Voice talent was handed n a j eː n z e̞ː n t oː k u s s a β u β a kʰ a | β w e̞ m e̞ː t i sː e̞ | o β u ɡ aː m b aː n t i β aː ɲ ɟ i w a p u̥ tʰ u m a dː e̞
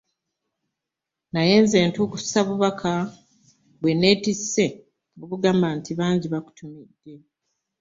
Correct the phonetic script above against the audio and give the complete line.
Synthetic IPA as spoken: n a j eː n z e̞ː n t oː k u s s a β u β a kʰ a | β w e̞ n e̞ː t i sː e̞ | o β u ɡ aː m b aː n t i β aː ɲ ɟ i β a k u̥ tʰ u m i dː e̞

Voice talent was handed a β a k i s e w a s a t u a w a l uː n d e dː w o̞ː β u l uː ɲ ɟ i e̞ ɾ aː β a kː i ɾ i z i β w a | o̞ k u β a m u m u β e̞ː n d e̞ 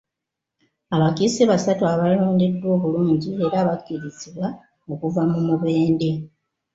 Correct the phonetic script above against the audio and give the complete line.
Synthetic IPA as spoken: a β a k i s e β a s a t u a β a l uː n d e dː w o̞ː β u l uː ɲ ɟ i e̞ ɾ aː β a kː i ɾ i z i β w a | o̞ k u v a m u m u β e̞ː n d e̞

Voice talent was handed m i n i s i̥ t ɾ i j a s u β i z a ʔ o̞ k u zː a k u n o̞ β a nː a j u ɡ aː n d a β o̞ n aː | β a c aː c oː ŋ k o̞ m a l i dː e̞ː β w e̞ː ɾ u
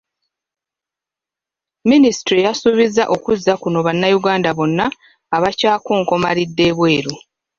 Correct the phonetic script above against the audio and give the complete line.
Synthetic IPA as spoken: m i n i s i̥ t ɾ i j a s u β i z a ʔ o̞ k u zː a k u n o̞ β a nː a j u ɡ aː n d a β o̞ nː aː | β a c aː k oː ŋ k o̞ m a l i dː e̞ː β w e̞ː ɾ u

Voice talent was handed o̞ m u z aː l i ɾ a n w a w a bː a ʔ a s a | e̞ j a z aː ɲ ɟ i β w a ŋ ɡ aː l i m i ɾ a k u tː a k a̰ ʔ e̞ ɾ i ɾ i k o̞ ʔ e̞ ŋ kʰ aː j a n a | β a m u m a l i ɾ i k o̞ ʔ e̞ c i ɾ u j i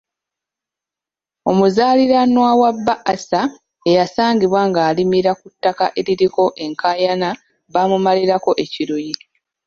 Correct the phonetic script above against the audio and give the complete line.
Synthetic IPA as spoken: o̞ m u z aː l i ɾ a n w a w a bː a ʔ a s a | e̞ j a s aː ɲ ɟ i β w a ŋ ɡ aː l i m i ɾ a k u tː a k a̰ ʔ e̞ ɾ i ɾ i k o̞ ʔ e̞ ŋ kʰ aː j a n a | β a m u m a l i ɾ a k o̞ ʔ e̞ c i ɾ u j i

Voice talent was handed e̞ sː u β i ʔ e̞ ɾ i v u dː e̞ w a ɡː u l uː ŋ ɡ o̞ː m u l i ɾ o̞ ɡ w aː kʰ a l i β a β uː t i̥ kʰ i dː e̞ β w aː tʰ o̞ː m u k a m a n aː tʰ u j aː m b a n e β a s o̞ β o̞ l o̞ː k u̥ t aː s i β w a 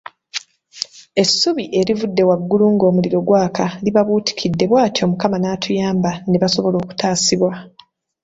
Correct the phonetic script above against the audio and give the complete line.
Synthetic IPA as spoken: e̞ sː u β i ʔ e̞ ɾ i v u dː e̞ w a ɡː u l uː ŋ ɡ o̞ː m u l i ɾ o̞ ɡ w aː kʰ a l i β a β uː t i̥ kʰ i dː e̞ β w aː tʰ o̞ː m u k a m a n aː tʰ u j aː m b a n e β a s o̞ β o̞ l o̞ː k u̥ t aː s i β w a

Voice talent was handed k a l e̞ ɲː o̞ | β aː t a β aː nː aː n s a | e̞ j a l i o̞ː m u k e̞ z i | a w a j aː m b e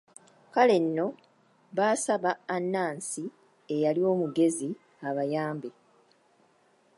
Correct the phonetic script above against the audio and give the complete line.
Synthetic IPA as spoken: k a l e̞ nː o̞ | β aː s a β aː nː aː n s i | e̞ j a l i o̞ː m u ɡ e̞ z i | a β a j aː m b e

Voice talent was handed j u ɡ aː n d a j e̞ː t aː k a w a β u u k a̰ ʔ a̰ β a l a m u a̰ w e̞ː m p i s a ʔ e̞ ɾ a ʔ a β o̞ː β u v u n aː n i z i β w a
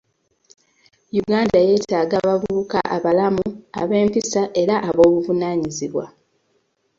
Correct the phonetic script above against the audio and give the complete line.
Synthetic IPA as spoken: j u ɡ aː n d a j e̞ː t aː ɡ a β a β u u k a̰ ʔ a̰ β a l a m u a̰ β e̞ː m p i s a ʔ e̞ ɾ a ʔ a β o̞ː β u v u n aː ɲ i z i β w a

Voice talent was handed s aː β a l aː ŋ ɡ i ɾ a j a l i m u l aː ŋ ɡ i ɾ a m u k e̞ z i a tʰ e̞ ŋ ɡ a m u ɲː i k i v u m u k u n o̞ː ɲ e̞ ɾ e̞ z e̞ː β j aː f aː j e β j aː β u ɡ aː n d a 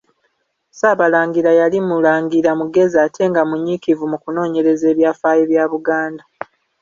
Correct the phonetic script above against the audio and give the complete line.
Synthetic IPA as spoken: s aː β a l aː ŋ ɡ i ɾ a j a l i m u l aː ŋ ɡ i ɾ a m u ɡ e̞ z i a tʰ e̞ ŋ ɡ a m u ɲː i k i v u m u k u n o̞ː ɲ e̞ ɾ e̞ z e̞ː β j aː f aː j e β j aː β u ɡ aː n d a

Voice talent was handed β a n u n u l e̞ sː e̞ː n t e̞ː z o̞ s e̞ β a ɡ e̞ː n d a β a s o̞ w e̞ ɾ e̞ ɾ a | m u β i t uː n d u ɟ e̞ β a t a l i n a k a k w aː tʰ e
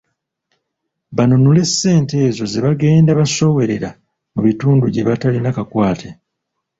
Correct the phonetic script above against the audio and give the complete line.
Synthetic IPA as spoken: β a n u n u l e̞ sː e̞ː n t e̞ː z o̞ z e̞ β a ɡ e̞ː n d a β a s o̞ w e̞ ɾ e̞ ɾ a | m u β i t uː n d u ɟ e̞ β a t a l i n a k a k w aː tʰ e

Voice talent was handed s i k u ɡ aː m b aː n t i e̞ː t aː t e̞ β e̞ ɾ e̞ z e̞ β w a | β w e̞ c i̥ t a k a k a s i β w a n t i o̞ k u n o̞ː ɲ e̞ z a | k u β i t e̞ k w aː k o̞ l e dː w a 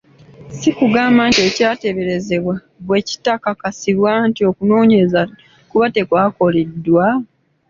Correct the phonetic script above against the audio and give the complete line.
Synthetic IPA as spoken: s i k u ɡ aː m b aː n t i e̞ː c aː t e̞ β e̞ ɾ e̞ z e̞ β w a | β w e̞ c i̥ t a k a k a s i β w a n t i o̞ k u n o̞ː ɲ e̞ z a | k u β a t e̞ k w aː k o̞ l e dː w a

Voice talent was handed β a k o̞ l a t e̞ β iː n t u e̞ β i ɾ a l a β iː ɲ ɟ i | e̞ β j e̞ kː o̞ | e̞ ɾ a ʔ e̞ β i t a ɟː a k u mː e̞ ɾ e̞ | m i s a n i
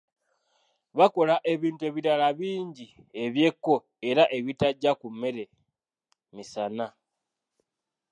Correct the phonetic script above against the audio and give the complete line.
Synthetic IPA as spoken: β a k o̞ l a ʔ e̞ β iː n t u e̞ β i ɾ a l a β iː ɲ ɟ i | e̞ β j e̞ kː o̞ | e̞ ɾ a ʔ e̞ β i t a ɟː a k u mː e̞ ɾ e̞ | m i s a n a

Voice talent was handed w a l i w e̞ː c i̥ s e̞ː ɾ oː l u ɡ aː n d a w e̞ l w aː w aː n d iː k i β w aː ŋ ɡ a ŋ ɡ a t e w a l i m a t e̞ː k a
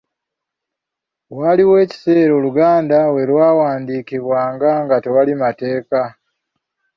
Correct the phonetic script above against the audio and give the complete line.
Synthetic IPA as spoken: w a l i w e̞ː c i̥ s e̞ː ɾ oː l u ɡ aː n d a w e̞ l w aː w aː n d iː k i β w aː ŋ ɡ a ŋ ɡ a t e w a l i m a t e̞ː k a

